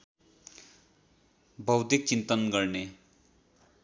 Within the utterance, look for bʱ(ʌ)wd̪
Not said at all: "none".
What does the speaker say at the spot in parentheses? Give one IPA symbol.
ʌ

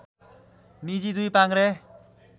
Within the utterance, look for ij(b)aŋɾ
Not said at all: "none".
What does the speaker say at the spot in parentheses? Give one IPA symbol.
p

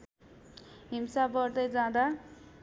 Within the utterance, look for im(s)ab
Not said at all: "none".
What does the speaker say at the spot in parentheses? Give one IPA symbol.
s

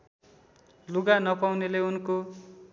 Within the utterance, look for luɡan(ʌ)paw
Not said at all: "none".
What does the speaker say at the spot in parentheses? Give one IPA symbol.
ʌ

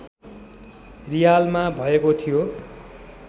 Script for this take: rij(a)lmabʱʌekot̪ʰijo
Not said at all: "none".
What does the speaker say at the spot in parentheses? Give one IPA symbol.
a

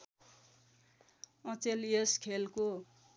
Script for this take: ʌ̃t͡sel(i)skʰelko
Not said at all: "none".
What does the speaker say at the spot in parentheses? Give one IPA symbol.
e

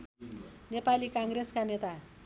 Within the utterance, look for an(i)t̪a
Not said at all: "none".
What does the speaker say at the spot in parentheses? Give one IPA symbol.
e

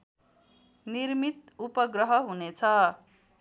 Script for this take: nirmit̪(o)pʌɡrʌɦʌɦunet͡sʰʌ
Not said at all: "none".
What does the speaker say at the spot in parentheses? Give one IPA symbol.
u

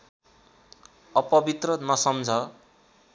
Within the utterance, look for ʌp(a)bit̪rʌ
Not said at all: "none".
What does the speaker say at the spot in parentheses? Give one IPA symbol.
ʌ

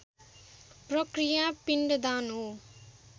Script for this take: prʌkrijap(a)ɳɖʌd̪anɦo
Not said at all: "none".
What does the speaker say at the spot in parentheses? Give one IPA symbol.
i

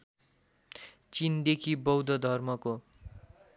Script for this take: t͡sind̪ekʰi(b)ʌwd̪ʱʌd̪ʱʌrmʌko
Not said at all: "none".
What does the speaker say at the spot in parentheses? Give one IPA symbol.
b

